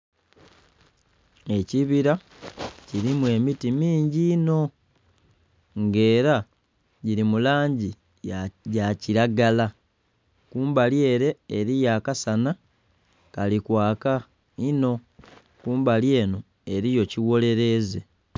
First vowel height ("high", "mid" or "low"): mid